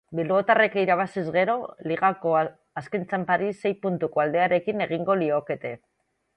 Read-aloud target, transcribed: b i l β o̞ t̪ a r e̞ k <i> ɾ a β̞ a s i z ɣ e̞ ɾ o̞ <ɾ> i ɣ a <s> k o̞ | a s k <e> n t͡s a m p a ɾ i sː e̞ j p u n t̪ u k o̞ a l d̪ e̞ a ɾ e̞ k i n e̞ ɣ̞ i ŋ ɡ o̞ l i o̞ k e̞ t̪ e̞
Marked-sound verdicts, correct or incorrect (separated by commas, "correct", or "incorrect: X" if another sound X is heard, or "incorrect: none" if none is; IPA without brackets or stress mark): correct, incorrect: l, incorrect: none, correct